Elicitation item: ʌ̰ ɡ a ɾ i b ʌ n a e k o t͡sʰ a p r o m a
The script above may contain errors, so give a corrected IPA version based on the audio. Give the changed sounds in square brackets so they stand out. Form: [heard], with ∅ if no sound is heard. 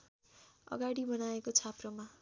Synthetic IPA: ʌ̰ ɡ a [ɽ] i b ʌ n a e k o t͡sʰ a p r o m a